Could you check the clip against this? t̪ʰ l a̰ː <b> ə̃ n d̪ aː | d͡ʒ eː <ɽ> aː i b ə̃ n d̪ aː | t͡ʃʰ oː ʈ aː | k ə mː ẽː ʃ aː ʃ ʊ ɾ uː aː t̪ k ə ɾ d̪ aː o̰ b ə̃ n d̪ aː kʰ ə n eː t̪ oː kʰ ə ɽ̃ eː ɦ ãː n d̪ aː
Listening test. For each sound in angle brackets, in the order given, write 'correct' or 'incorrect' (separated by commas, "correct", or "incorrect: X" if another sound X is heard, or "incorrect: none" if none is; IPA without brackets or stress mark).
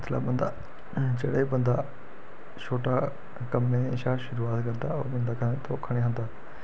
correct, correct